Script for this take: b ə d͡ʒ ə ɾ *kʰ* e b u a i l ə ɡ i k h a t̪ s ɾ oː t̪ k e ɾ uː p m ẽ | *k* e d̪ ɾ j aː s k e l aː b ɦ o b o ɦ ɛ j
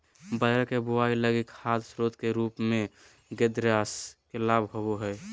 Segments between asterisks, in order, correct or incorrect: incorrect, incorrect

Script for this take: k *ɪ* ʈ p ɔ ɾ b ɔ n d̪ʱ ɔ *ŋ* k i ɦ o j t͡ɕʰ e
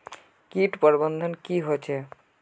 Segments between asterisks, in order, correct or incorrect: incorrect, incorrect

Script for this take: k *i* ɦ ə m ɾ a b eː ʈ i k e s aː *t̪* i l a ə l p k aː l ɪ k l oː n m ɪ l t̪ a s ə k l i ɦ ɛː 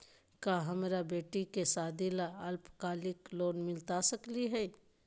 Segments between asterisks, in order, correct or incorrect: incorrect, incorrect

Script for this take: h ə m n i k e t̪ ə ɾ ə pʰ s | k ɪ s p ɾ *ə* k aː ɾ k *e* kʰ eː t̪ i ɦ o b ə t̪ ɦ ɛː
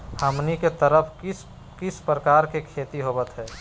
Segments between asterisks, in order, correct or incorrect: correct, correct

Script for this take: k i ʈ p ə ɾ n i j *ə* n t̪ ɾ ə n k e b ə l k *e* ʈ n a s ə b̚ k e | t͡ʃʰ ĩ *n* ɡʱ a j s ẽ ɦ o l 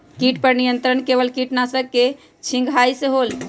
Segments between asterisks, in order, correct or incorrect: correct, incorrect, incorrect

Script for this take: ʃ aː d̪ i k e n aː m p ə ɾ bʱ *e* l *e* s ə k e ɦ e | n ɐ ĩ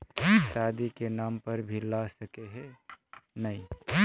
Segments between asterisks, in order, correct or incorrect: incorrect, incorrect

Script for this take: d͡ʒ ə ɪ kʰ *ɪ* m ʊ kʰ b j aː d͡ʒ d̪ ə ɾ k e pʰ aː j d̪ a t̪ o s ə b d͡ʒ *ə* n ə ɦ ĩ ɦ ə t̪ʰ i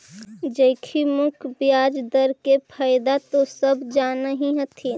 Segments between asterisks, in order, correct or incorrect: incorrect, incorrect

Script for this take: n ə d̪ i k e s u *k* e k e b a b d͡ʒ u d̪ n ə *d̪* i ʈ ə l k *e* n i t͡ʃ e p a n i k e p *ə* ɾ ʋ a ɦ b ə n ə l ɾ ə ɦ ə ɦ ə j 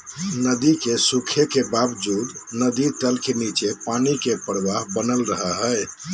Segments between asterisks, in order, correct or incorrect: incorrect, correct, correct, correct

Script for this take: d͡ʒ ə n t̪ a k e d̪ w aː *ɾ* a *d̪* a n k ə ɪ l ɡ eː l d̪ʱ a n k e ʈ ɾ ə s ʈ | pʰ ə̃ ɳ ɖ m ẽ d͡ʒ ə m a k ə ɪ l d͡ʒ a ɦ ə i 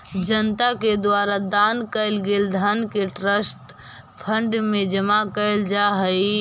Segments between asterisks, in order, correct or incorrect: correct, correct

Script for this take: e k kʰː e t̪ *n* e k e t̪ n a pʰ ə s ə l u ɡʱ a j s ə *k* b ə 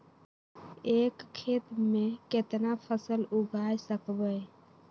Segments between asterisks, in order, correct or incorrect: incorrect, correct

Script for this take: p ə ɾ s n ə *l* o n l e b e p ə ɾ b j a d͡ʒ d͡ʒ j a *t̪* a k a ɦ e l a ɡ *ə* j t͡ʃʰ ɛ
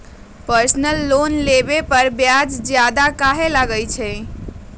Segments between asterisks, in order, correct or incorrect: incorrect, incorrect, correct

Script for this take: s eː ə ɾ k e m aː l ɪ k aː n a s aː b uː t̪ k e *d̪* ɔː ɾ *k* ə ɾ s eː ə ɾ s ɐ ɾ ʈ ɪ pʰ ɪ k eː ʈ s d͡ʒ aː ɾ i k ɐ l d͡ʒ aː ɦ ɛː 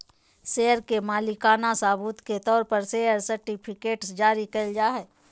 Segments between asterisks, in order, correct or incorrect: incorrect, incorrect

